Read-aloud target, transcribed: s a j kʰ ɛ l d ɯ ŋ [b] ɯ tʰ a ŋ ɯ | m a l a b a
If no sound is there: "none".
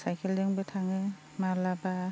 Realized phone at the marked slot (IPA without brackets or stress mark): b